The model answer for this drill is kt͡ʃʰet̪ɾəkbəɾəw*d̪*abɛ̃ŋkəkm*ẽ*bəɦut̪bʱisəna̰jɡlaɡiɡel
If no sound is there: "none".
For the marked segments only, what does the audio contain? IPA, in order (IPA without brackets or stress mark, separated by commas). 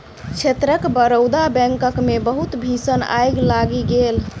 d̪, e